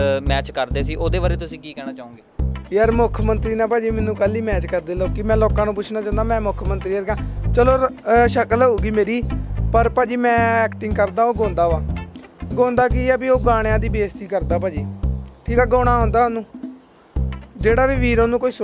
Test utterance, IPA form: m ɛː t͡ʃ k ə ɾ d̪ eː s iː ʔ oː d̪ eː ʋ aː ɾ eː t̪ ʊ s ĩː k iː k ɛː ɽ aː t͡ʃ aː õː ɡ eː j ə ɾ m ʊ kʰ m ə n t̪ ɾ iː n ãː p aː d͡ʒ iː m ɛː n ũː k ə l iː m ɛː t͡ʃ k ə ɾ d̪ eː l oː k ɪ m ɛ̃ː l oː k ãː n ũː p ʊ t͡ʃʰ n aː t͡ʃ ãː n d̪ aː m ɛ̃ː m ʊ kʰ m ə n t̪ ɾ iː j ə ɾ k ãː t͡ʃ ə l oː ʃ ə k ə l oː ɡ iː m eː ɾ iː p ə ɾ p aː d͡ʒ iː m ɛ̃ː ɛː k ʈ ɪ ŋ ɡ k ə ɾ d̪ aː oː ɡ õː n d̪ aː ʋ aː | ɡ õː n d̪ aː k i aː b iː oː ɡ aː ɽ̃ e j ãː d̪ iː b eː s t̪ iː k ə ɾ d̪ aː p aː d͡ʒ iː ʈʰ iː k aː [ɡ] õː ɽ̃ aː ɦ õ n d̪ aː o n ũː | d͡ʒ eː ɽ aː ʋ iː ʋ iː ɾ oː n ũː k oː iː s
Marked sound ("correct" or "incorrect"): correct